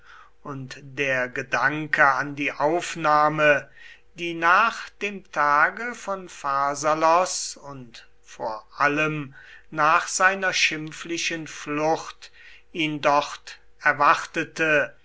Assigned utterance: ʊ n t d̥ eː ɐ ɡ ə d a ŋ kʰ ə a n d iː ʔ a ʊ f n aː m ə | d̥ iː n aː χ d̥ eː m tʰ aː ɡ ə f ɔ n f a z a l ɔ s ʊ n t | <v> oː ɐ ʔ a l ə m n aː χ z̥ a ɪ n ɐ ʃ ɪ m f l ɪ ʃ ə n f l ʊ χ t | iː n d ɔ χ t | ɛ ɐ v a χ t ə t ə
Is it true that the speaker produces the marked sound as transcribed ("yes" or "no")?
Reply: no